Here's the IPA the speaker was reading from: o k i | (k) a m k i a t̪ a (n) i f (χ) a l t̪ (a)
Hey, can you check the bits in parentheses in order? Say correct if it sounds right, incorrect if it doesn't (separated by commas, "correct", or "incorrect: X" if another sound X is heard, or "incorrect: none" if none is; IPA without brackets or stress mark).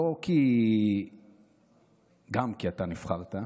incorrect: ɡ, correct, correct, correct